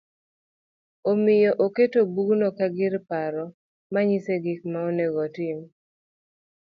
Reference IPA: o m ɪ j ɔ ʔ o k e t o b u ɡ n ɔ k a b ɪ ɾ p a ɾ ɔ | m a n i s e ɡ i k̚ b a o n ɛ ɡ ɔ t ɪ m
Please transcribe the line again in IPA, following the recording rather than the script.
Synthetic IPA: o m ɪ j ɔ ʔ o k e t o b u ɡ n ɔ k a ɡ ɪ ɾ p a ɾ ɔ | m a ɲ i s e ɡ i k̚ m a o n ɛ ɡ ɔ t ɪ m